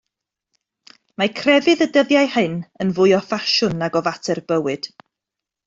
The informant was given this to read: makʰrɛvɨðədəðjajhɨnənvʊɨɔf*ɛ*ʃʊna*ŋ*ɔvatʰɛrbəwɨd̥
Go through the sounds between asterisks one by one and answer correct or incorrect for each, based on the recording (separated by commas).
incorrect, incorrect